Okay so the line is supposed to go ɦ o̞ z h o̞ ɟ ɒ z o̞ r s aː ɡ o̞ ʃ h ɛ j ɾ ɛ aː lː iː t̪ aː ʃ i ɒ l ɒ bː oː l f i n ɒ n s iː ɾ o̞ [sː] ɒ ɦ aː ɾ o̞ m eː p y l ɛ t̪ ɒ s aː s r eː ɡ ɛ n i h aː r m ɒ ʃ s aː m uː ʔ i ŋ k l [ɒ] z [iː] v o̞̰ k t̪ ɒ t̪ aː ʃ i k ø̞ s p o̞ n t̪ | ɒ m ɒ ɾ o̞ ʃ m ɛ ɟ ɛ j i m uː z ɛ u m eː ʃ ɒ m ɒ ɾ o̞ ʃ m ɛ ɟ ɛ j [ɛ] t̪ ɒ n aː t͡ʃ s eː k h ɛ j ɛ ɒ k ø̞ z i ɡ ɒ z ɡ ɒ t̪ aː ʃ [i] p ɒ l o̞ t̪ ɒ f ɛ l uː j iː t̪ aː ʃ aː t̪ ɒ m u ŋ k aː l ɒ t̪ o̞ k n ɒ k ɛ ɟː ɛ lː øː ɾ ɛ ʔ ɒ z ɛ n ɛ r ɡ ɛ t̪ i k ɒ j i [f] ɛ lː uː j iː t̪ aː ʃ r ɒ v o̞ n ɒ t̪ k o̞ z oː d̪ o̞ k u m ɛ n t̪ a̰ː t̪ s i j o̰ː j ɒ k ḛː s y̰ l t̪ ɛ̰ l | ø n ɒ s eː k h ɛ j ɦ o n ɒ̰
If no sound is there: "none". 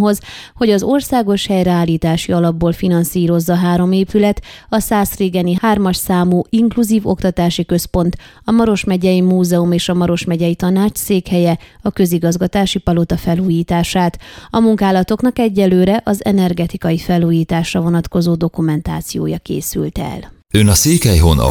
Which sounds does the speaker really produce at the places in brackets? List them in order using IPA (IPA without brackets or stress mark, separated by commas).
zː, u, iː, i, i, f